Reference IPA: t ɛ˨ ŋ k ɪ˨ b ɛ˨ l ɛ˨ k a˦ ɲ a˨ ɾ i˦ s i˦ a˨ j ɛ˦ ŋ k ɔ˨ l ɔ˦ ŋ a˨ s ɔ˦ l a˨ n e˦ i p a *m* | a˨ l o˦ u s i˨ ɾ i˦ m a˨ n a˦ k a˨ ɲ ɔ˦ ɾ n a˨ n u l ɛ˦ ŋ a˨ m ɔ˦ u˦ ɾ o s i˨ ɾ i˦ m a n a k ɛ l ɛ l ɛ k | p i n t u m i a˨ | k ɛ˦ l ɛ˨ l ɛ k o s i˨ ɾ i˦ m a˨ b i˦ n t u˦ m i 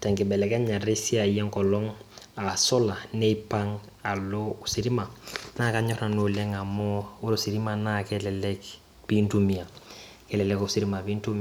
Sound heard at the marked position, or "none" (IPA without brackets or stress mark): ŋ